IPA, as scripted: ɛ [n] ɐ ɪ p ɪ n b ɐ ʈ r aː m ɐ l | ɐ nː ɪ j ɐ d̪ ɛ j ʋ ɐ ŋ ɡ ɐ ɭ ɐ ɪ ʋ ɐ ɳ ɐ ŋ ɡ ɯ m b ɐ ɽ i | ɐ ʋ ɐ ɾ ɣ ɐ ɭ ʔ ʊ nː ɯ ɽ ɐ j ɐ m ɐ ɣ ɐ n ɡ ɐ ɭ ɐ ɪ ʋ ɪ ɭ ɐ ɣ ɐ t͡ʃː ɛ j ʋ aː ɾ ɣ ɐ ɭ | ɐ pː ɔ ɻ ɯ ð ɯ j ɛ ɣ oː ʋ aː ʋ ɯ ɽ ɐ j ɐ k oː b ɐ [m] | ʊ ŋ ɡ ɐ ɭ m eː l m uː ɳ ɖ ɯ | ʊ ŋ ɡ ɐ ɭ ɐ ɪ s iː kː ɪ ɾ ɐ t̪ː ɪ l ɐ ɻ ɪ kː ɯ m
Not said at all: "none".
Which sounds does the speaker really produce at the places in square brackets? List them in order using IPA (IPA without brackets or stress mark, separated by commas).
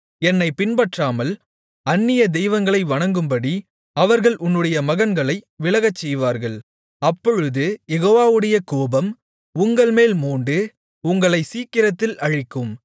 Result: nː, m